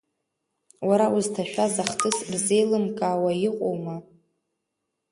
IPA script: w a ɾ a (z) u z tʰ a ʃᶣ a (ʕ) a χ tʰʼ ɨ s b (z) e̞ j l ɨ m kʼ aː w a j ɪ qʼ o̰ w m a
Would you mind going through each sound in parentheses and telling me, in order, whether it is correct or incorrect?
incorrect, incorrect, correct

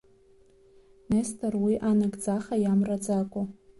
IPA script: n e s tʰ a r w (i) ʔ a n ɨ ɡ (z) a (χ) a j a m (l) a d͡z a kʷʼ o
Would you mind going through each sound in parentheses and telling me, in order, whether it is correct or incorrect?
correct, incorrect, correct, incorrect

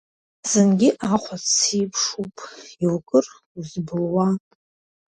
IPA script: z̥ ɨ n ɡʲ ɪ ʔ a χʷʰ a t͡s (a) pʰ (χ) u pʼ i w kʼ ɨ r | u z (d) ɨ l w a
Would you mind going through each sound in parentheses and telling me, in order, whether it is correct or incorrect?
incorrect, incorrect, incorrect

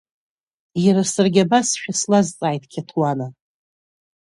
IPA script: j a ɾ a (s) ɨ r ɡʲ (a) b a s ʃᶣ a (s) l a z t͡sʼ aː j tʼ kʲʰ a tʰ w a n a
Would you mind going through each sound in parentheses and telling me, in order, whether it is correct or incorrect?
correct, correct, correct

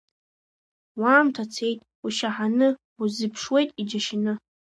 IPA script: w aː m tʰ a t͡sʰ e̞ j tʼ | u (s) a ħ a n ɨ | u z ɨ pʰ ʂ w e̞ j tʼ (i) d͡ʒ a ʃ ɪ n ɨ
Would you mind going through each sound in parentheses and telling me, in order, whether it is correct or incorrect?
incorrect, correct

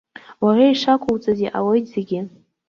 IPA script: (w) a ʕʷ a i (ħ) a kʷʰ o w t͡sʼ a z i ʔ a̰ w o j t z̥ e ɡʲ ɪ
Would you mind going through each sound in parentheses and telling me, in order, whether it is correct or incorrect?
correct, incorrect

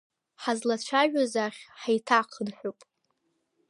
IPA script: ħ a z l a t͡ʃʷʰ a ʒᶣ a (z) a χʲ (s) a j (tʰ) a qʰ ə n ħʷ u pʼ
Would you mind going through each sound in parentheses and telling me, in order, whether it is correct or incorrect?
correct, incorrect, correct

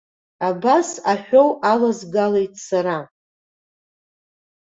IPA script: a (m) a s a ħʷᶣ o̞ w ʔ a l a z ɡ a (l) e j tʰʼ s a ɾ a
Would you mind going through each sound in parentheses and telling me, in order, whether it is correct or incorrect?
incorrect, correct

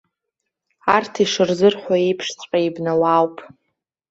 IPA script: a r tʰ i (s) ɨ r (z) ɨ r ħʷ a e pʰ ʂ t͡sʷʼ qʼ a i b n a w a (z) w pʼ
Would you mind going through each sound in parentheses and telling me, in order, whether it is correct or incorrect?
incorrect, correct, incorrect

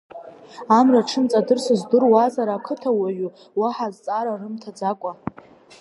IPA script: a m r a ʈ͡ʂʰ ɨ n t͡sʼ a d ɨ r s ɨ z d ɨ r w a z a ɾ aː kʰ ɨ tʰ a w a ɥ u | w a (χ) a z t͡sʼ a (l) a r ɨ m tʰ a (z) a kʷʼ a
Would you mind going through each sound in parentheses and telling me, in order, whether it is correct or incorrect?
incorrect, incorrect, incorrect

